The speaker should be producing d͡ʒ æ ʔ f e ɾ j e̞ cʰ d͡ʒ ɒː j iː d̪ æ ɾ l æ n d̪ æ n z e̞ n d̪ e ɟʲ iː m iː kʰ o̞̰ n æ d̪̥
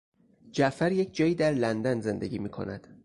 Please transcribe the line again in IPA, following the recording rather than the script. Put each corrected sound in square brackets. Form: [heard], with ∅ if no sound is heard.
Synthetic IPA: d͡ʒ æ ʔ f [æ] ɾ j e̞ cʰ d͡ʒ ɒː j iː d̪ æ ɾ l æ n d̪ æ n z e̞ n d̪ e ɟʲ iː m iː kʰ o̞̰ n æ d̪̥